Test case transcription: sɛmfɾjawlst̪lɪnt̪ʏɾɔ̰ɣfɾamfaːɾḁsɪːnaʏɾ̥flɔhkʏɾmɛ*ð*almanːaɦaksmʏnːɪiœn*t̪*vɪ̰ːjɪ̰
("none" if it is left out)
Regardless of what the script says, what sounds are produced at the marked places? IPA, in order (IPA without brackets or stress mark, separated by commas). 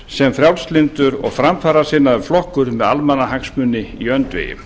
ð, t̪